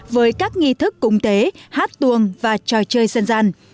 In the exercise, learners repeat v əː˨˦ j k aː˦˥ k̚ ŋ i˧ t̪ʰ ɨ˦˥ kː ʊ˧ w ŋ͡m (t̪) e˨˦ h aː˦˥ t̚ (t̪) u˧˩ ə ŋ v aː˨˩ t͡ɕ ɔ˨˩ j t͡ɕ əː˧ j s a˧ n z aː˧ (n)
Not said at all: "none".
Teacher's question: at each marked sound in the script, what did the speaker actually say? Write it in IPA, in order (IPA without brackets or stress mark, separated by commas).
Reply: t̪, t̪, n